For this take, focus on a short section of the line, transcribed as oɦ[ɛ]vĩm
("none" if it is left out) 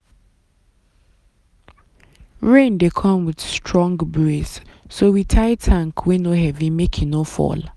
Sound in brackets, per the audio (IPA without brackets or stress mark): ɛ